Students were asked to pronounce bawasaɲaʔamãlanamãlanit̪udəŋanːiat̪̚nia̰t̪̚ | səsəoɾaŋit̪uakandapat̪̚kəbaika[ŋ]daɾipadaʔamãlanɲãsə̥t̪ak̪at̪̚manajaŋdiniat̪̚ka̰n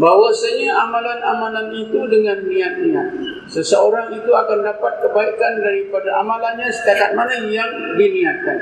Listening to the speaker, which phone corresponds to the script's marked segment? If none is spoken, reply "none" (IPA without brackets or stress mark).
n